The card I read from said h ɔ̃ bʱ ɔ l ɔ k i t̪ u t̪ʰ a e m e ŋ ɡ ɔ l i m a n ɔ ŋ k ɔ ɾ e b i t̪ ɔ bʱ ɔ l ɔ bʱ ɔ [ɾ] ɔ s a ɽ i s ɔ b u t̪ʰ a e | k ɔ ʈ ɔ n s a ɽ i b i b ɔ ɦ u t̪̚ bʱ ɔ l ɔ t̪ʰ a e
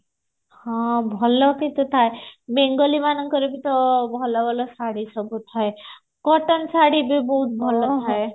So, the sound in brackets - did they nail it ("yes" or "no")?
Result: no